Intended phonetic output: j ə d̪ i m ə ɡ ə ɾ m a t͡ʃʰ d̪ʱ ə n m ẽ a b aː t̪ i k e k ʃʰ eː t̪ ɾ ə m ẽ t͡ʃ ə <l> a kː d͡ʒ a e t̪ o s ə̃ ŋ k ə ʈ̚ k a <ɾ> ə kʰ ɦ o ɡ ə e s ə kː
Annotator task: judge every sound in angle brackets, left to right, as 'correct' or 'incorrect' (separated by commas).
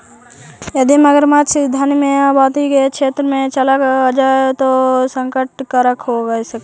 correct, correct